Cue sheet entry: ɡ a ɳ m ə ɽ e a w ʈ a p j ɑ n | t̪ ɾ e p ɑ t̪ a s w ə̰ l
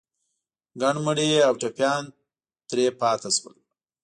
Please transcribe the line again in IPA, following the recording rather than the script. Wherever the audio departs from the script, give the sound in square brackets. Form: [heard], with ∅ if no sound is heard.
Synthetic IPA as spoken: ɡ a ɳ m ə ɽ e a w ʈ a p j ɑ n | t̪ ɾ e p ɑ t̪ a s w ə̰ l